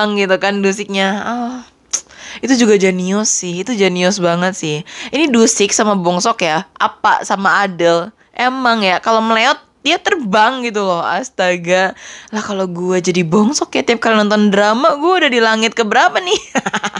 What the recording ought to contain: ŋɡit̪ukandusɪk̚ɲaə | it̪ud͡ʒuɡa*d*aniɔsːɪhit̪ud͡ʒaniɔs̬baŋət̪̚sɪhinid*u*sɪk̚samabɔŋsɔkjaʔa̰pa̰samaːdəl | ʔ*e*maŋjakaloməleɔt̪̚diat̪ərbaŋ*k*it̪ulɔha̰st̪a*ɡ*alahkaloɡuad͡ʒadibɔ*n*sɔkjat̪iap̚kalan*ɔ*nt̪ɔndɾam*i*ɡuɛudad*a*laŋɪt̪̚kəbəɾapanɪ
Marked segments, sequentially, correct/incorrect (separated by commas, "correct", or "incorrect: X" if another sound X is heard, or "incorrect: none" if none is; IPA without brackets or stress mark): incorrect: d͡ʒ, correct, correct, incorrect: ɡ, correct, incorrect: ŋ, correct, incorrect: a, incorrect: i